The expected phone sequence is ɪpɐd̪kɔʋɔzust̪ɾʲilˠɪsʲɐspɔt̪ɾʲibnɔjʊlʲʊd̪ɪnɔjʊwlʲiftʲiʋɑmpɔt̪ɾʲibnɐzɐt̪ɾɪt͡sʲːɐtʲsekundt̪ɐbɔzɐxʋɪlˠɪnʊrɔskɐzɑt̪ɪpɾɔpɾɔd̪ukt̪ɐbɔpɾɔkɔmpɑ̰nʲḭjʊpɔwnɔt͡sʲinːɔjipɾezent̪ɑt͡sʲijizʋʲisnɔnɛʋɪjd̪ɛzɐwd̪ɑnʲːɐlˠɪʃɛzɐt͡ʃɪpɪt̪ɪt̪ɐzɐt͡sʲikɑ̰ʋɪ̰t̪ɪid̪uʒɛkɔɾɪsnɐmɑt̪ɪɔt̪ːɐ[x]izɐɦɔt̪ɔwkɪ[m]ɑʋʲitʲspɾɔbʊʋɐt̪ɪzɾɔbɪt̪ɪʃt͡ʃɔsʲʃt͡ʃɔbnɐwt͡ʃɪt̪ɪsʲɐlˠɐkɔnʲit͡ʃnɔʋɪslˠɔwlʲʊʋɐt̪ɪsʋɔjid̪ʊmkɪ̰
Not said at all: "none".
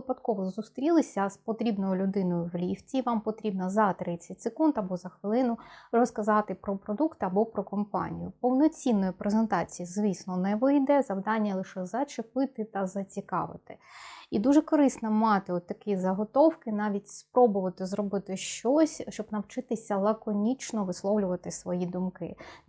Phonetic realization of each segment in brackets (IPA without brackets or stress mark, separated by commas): k, n